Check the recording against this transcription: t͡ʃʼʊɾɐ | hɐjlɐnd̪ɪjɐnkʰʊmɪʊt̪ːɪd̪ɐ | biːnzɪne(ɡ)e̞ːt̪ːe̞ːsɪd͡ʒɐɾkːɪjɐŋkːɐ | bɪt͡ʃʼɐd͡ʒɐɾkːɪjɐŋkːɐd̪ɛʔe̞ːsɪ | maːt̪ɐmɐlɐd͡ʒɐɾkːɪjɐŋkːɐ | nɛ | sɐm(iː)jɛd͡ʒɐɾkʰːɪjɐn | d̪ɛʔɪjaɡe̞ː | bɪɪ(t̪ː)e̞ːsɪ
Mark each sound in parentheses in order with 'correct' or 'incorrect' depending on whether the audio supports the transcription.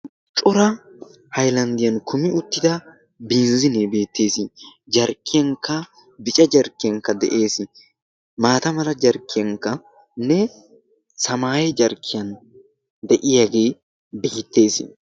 incorrect, incorrect, correct

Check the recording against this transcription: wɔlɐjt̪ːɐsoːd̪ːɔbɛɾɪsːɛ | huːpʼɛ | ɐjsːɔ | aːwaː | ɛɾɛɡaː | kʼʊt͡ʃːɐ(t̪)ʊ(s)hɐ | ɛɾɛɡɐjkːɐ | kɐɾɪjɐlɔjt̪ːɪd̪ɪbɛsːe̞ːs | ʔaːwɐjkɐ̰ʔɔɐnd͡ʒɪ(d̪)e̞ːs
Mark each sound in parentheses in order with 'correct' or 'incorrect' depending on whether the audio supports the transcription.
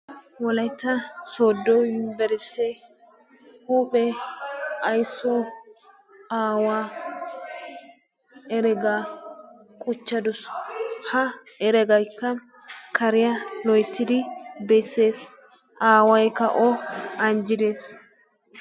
incorrect, correct, correct

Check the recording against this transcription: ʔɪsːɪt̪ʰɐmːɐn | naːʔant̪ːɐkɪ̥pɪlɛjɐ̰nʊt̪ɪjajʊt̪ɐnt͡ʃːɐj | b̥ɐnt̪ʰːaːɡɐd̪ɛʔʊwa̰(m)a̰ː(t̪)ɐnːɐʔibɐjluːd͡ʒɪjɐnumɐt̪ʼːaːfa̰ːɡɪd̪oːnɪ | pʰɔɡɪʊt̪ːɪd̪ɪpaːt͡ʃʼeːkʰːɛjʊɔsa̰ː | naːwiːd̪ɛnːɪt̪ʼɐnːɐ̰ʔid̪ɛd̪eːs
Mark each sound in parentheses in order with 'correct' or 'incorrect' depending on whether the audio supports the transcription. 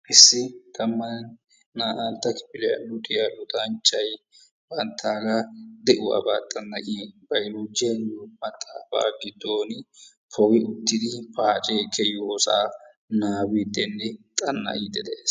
incorrect, incorrect

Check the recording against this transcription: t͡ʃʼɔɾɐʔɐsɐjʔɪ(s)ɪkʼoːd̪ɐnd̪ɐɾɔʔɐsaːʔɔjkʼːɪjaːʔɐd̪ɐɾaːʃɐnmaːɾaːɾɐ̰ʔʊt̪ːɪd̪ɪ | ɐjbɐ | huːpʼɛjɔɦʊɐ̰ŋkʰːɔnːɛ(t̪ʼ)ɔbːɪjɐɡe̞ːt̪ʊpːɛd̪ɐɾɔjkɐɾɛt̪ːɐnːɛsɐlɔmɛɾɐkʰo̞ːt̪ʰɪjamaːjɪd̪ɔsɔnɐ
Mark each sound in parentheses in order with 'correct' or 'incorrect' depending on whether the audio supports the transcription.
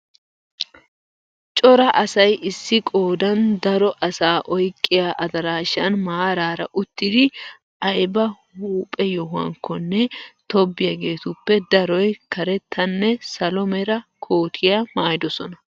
incorrect, incorrect

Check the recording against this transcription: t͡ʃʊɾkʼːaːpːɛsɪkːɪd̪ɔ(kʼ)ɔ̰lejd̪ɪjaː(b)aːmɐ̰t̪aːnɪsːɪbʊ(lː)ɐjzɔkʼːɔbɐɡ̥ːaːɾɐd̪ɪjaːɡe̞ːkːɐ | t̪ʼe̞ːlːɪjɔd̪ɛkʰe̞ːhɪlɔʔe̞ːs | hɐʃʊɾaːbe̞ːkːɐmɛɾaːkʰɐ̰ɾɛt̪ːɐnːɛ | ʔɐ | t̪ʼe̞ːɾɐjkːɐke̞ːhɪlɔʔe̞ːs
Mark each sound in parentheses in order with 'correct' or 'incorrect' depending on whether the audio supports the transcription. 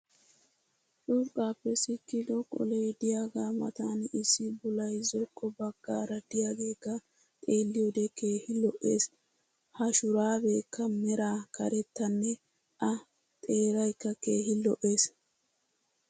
correct, incorrect, incorrect

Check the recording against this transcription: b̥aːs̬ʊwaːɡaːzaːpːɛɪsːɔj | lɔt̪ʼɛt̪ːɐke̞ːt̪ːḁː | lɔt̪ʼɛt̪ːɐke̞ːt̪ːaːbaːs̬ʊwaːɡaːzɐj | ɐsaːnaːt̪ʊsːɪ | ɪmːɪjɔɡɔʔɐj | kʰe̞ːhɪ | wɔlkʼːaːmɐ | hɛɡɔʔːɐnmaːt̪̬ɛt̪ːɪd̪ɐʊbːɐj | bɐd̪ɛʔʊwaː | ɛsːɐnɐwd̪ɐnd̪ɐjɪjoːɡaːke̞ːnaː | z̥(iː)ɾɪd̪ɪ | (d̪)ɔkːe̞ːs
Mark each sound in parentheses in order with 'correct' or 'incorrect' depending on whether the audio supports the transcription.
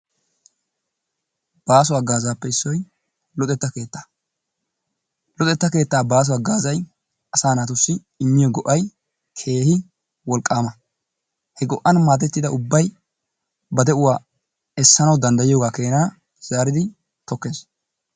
incorrect, incorrect

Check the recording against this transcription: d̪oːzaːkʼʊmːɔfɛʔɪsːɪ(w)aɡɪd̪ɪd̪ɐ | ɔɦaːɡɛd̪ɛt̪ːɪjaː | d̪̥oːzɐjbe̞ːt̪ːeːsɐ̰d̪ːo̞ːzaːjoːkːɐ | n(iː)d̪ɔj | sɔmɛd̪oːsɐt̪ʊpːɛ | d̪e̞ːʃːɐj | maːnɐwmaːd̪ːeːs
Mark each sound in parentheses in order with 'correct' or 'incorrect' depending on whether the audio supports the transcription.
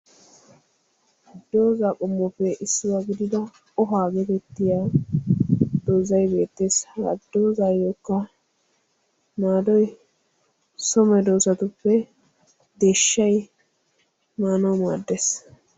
correct, incorrect

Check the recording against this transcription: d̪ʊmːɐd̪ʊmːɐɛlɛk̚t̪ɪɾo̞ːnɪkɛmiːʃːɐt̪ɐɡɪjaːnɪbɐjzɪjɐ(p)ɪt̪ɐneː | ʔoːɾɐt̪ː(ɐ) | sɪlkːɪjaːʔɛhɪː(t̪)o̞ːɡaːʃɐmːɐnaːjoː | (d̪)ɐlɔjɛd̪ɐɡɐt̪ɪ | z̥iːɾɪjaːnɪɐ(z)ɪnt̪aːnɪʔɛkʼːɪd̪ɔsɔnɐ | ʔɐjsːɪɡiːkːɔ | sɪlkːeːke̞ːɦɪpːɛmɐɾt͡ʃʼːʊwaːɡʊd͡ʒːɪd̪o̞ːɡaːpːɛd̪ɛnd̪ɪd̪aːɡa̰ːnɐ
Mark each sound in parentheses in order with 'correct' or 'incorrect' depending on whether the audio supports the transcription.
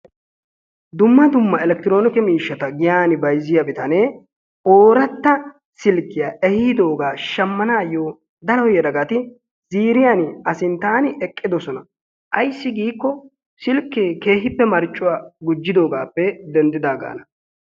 incorrect, correct, incorrect, correct, incorrect

